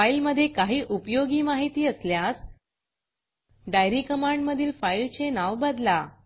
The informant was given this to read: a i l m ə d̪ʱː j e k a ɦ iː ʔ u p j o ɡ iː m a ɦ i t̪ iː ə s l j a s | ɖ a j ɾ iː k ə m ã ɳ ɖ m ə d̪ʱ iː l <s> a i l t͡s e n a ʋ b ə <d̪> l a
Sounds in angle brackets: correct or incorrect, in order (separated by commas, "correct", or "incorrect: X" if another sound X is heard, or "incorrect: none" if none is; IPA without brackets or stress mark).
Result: incorrect: f, correct